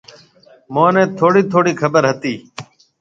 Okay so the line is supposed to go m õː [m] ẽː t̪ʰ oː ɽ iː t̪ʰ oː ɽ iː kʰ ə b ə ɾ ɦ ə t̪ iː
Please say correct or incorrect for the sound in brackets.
incorrect: n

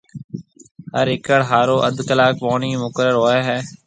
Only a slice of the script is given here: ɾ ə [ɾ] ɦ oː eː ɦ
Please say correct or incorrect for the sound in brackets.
correct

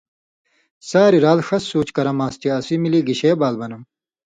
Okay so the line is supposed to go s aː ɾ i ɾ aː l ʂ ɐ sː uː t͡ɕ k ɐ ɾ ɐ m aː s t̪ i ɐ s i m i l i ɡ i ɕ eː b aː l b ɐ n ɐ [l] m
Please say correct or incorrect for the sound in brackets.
incorrect: none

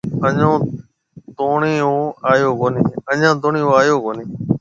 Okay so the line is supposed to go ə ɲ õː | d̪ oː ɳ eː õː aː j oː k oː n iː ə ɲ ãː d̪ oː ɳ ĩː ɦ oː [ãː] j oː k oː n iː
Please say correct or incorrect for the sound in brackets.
incorrect: aː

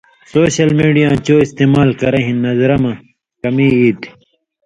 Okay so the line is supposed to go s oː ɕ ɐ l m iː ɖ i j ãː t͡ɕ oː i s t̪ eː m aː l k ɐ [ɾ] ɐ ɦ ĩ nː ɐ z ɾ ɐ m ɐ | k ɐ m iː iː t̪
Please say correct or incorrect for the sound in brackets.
correct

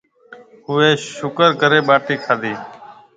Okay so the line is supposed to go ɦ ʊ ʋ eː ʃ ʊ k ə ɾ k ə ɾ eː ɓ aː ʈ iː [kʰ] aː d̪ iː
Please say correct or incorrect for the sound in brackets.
correct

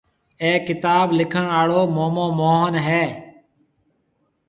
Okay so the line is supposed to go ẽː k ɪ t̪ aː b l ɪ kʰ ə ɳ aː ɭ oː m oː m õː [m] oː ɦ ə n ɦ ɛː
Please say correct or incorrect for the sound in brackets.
correct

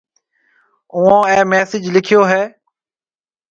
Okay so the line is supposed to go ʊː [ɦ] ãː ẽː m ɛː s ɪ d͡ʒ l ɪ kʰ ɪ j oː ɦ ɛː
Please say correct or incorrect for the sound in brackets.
incorrect: none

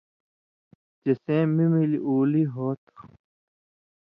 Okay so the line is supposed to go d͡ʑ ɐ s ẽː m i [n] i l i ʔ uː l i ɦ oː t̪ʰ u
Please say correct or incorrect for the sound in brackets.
incorrect: m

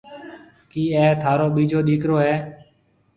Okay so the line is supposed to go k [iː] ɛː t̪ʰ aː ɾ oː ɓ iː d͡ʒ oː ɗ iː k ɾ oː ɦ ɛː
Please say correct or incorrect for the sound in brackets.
correct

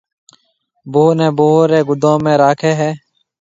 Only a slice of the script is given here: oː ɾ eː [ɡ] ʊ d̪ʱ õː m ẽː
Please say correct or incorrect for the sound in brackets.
correct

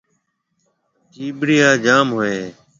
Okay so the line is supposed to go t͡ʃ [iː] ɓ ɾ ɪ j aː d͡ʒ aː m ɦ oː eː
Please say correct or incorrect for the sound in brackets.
correct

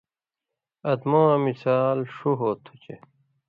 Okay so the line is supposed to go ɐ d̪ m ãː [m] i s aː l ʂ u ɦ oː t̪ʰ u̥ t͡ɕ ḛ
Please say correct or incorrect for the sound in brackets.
correct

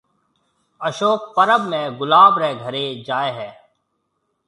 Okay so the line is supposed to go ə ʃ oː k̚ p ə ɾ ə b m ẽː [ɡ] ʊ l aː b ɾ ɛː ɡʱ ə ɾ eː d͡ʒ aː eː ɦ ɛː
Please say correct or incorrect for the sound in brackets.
correct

